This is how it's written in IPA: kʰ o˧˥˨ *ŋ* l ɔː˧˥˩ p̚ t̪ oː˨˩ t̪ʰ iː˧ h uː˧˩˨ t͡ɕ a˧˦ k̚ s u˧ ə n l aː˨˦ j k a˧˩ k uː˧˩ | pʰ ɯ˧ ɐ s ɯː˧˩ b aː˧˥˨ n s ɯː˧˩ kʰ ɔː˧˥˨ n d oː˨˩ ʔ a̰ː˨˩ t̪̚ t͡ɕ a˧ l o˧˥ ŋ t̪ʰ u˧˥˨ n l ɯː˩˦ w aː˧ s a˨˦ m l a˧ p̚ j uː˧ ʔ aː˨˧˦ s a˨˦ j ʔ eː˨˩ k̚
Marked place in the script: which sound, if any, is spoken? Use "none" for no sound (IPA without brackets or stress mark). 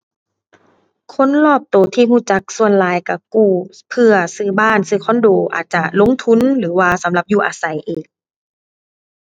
n